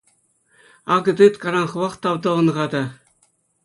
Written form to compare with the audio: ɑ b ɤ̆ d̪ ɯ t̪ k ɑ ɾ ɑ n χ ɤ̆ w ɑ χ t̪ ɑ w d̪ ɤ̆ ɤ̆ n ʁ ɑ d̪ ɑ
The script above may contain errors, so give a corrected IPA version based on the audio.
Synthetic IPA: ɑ ɡ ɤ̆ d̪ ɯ t̪ k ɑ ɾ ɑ n χ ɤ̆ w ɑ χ t̪ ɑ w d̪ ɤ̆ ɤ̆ n ʁ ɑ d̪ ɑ